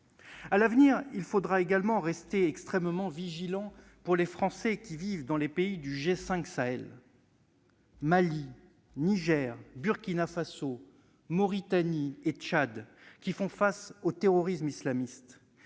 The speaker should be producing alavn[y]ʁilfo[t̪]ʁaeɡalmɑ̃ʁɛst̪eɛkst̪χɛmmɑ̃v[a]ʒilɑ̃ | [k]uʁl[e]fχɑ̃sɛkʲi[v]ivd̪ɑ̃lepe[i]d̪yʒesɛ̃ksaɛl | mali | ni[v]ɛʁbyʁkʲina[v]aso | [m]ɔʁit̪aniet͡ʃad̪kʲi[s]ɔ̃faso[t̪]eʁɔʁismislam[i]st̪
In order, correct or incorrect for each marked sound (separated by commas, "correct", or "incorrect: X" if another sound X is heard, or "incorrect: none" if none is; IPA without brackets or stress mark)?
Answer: incorrect: i, incorrect: d̪, incorrect: i, incorrect: p, correct, correct, correct, incorrect: ʒ, incorrect: f, correct, incorrect: f, correct, correct